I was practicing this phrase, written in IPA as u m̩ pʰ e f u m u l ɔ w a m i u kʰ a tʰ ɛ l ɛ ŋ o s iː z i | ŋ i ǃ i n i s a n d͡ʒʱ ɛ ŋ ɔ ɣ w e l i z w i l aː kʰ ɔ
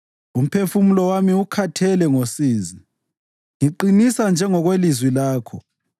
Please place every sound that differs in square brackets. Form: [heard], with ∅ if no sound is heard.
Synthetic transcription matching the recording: u m̩ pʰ e f u m u l ɔ w a m i u kʰ a tʰ ɛ l ɛ ŋ o s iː z i | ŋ i ǃ i n i s a n d͡ʒʱ ɛ ŋ ɔ ɣ w e l i z w i l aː kʰ ɔ

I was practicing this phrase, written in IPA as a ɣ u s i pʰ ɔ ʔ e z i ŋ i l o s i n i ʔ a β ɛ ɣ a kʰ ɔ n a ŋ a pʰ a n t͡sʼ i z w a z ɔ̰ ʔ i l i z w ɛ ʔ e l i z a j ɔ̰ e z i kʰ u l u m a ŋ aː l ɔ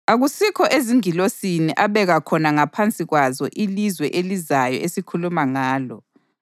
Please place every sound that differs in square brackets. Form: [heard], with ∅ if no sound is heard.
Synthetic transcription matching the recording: a ɣ u s i [kʰ] ɔ ʔ e z i ŋ i l o s i n i ʔ a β ɛ ɣ a kʰ ɔ n a ŋ a pʰ a n t͡sʼ i [ɣ] w a z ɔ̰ ʔ i l i z w ɛ ʔ e l i z a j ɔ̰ e [s] i kʰ u l u m a ŋ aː l ɔ

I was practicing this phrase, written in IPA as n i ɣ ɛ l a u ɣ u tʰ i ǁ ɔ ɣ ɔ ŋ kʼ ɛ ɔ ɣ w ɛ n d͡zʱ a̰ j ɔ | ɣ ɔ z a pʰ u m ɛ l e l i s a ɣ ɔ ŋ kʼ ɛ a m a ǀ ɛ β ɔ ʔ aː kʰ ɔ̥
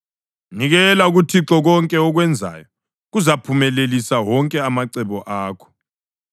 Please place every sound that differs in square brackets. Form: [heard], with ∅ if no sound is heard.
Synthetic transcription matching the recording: n i ɣ ɛ l a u ɣ u tʰ i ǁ ɔ ɣ ɔ ŋ kʼ ɛ ɔ ɣ w ɛ n d͡zʱ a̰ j ɔ | ɣ [u] z a pʰ u m ɛ l e l i s a [w] ɔ ŋ kʼ ɛ a m a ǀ ɛ β ɔ ʔ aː kʰ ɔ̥

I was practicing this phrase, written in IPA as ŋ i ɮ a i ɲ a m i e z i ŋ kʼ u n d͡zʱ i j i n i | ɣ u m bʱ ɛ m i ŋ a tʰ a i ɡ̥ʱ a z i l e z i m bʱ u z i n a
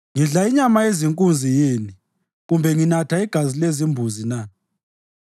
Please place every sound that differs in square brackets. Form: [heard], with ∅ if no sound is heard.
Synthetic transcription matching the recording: ŋ i ɮ a i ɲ a m [a] e z i ŋ kʼ u n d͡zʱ i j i n i | ɣ u m bʱ ɛ [ŋ] i [n] a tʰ a i ɡ̥ʱ a z i l e z i m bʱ u z i n a

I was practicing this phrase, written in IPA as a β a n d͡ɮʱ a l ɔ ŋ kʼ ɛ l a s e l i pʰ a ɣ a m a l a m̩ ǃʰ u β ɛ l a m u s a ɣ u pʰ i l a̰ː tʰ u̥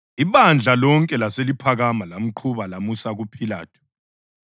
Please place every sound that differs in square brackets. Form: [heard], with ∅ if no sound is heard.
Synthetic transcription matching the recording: [i] β a n d͡ɮʱ a l ɔ ŋ kʼ ɛ l a s e l i pʰ a ɣ a m a l a m̩ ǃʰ u β [a] l a m u s a ɣ u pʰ i l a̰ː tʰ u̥

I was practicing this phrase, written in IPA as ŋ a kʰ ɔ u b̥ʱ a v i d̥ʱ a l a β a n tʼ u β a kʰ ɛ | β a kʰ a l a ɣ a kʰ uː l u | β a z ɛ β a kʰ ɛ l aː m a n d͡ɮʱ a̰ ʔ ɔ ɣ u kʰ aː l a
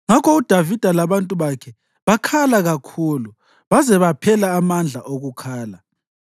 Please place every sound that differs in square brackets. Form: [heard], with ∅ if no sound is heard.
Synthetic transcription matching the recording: ŋ a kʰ ɔ u [d̥ʱ] a v i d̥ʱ a l a β a n tʼ u β a kʰ ɛ | β a kʰ a l a ɣ a kʰ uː l u | β a z ɛ β a [pʰ] ɛ l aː m a n d͡ɮʱ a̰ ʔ [o] ɣ u kʰ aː l a

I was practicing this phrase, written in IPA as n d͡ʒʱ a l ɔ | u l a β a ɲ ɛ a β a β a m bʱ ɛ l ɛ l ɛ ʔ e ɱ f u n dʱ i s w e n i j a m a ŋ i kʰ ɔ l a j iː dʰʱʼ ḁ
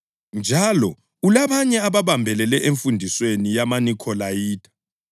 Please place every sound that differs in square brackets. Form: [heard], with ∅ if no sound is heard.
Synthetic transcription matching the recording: n d͡ʒʱ a l ɔ | u l a β a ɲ ɛ a β a β a m bʱ ɛ l ɛ l ɛ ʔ e ɱ f u n dʱ i s w e n i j a m a [n] i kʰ ɔ l a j iː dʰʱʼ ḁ

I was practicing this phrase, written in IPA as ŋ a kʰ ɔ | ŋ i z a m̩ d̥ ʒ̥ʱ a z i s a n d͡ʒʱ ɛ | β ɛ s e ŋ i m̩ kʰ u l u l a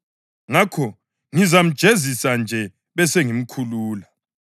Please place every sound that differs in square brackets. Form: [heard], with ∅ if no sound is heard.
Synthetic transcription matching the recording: ŋ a kʰ ɔ | ŋ i z a m̩ d̥ ʒ̥ʱ [e] z i s a n d͡ʒʱ ɛ | β ɛ s e ŋ i m̩ kʰ u l [uː] l a

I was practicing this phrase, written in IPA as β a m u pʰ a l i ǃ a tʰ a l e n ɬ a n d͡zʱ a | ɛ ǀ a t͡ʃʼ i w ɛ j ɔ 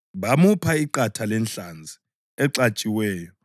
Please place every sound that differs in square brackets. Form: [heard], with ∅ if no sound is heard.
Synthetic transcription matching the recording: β a m u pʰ a [∅] i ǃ a tʰ a l [ɛ] n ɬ a n d͡zʱ [i] | ɛ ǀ a t͡ʃʼ i w [ɛː] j ɔ

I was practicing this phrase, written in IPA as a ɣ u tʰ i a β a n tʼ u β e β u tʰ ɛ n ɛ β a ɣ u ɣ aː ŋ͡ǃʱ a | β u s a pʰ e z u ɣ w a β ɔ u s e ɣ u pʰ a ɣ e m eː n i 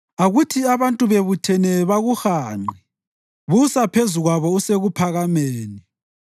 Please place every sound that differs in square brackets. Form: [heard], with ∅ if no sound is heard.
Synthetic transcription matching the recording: a ɣ u tʰ i a β a n tʼ u β e β u tʰ ɛ n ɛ β a ɣ u [x] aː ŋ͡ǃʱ [i] | β u s a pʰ e z u ɣ w a β ɔ u s e ɣ u pʰ a ɣ [a] m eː n i

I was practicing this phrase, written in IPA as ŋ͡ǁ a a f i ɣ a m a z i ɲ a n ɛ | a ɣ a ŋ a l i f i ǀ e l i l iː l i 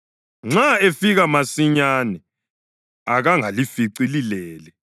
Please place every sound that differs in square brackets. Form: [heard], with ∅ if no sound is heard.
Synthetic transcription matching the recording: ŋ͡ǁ a [e] f i ɣ a m a [s] i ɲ a n ɛ | a ɣ a ŋ a l i f i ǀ [i] l i l [ɛː] l [ɛ]

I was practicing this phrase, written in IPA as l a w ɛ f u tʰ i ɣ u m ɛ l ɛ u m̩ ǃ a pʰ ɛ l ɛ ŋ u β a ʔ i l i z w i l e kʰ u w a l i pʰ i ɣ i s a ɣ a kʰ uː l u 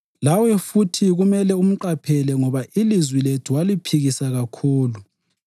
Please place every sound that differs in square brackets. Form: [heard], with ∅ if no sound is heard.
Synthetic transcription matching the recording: l a w ɛ f u tʰ i ɣ u m ɛ l ɛ u m̩ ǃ a pʰ ɛ l ɛ ŋ [ɔ] β a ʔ i l i z w i l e [tʰ] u w a l i pʰ i ɣ i s a ɣ a kʰ uː l u

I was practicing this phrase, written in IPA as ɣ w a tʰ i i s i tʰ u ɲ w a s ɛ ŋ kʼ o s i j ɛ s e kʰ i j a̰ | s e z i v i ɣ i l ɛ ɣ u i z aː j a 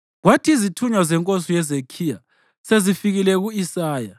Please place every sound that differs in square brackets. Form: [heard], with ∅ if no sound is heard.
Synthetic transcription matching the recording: ɣ w a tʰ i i [z] i tʰ u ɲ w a [z] ɛ ŋ kʼ o s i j ɛ [z] e kʰ i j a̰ | s e z i [f] i ɣ i l ɛ ɣ u i [s] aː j a

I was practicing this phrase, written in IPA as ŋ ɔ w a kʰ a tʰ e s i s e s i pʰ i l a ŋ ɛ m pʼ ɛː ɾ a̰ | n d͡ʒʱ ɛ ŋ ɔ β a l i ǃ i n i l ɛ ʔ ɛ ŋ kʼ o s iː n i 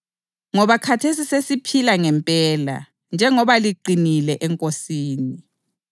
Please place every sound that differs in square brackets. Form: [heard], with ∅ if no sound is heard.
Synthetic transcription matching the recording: ŋ ɔ [β] a kʰ a tʰ e s i s e s i pʰ i l a ŋ ɛ m pʼ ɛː [l] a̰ | n d͡ʒʱ ɛ ŋ ɔ β a l i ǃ i n i l ɛ ʔ ɛ ŋ kʼ o s iː n i

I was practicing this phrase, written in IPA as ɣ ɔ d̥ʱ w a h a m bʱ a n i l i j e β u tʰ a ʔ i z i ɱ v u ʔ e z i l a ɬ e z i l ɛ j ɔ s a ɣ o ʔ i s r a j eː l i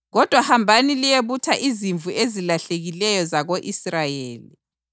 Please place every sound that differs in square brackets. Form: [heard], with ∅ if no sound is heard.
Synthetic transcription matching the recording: ɣ ɔ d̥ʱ w a h a m bʱ a n i l i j e β u tʰ a ʔ i z i ɱ v u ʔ e z i l a ɬ e [ɣ] i l ɛ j ɔ [z] a ɣ o ʔ i s r a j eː l i

